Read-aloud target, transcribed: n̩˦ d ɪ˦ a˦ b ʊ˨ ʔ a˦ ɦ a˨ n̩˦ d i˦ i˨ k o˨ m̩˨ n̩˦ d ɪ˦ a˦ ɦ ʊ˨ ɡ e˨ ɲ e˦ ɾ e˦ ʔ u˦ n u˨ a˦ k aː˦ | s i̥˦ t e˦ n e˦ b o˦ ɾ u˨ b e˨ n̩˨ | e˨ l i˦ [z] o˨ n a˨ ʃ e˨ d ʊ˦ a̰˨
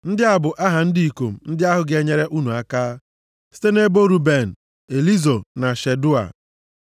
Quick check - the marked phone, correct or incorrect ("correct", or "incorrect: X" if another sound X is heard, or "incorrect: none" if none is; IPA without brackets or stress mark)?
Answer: correct